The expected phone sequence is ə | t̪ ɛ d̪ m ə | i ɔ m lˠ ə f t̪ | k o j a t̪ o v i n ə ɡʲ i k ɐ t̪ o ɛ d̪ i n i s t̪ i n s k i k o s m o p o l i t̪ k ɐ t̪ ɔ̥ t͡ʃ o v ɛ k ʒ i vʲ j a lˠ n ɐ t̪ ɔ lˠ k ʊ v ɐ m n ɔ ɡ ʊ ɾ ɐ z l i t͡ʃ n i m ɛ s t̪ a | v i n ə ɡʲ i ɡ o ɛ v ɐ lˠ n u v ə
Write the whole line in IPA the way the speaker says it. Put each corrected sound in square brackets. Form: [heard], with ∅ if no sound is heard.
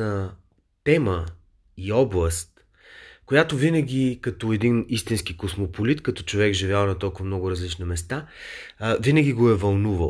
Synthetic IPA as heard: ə | t̪ ɛ [∅] m ə | i ɔ [b] lˠ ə [s] t̪ | k o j a t̪ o v i n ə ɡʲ i k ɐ t̪ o ɛ d̪ i n i s t̪ i n s k i k o s m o p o l i t̪ k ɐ t̪ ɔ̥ t͡ʃ o v ɛ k ʒ i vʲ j a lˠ n ɐ t̪ ɔ lˠ k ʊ v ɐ m n ɔ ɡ ʊ ɾ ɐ z l i t͡ʃ n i m ɛ s t̪ a | v i n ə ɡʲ i ɡ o ɛ v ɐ lˠ n u v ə